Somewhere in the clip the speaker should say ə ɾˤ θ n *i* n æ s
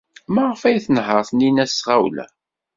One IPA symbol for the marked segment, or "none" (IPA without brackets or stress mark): i